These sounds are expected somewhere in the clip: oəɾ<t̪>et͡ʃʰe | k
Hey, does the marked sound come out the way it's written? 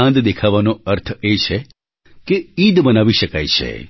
no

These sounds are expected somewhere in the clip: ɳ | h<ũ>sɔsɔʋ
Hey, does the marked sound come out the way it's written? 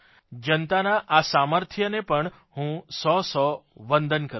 yes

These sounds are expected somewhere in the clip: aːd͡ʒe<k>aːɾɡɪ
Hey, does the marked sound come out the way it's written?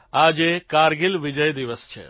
yes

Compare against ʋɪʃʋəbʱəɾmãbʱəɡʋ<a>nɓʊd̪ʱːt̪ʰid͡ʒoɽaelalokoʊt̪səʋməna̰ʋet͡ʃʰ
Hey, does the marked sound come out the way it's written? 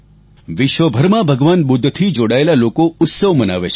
yes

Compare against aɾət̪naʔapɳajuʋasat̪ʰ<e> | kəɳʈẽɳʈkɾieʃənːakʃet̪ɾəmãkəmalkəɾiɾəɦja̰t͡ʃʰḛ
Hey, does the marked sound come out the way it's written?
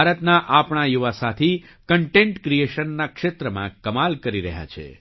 no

